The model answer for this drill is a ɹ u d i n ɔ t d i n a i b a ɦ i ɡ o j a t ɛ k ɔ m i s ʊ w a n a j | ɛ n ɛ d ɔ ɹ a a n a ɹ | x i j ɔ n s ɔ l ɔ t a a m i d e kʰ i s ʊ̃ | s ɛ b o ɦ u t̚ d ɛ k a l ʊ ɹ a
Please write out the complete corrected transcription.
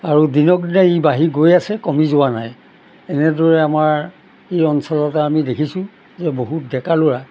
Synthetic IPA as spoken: a ɹ u d i n ɔ k d i n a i b a ɦ i ɡ o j a s ɛ k ɔ m i z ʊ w a n a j | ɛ n ɛ d ɔ ɹ ɛ a m a ɹ | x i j ɔ n s ɔ l ɔ t a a m i d e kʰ i s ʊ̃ | z ɛ b o ɦ u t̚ d ɛ k a l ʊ ɹ a

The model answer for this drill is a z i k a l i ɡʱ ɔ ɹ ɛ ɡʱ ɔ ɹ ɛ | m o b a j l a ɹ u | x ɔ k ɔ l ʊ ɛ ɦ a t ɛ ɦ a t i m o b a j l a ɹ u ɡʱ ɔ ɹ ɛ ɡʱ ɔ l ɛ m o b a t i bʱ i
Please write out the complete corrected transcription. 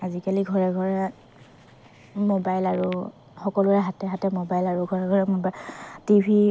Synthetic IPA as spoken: a z i k a l i ɡʱ ɔ ɹ ɛ ɡʱ ɔ ɹ ɛ | m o b a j l a ɹ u | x ɔ k ɔ l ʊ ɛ ɦ a t ɛ ɦ a t ɛ m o b a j l a ɹ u ɡʱ ɔ ɹ ɛ ɡʱ ɔ ɹ ɛ m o b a t i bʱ i

